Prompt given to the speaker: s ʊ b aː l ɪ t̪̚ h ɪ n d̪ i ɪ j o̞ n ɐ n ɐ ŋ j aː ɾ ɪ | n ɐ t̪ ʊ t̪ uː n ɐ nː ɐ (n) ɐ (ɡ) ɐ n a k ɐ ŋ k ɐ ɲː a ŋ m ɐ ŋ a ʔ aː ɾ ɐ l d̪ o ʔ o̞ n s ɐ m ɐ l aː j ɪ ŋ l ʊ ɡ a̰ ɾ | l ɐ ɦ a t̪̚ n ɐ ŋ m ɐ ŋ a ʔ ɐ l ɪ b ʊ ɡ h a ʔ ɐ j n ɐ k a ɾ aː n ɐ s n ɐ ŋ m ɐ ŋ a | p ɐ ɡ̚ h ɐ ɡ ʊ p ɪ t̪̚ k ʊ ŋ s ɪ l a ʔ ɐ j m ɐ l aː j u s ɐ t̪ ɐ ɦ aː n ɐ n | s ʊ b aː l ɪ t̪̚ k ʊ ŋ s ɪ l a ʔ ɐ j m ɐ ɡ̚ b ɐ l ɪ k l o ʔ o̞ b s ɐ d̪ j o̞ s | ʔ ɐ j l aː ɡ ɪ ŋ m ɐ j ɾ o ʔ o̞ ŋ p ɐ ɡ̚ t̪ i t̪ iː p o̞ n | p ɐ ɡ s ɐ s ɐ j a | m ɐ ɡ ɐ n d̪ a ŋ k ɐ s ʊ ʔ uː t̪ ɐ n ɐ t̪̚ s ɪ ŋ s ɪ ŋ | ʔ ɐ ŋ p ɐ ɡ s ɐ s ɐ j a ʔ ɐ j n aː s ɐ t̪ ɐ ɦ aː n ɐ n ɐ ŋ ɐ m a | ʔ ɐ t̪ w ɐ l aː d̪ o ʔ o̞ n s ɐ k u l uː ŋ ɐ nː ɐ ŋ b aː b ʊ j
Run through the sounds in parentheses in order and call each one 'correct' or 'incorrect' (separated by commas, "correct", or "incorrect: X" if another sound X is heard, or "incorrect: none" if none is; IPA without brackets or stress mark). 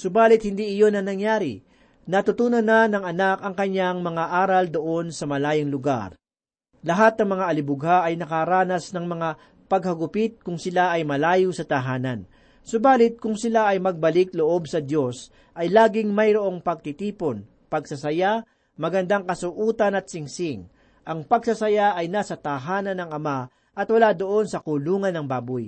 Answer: correct, incorrect: ŋ